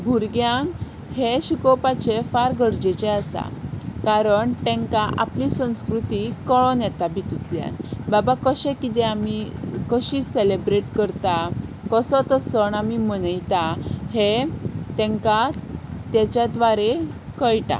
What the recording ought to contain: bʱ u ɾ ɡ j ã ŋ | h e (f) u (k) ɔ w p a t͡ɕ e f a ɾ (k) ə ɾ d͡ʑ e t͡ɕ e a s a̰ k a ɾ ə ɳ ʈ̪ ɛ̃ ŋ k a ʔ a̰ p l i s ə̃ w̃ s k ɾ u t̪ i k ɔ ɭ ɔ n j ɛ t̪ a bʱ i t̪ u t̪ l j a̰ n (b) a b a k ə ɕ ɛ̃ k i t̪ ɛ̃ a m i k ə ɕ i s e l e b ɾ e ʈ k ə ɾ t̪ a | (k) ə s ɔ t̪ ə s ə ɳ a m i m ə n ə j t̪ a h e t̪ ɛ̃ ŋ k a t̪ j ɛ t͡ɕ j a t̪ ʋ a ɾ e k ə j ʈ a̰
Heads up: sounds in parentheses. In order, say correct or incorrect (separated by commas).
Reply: incorrect, correct, incorrect, correct, correct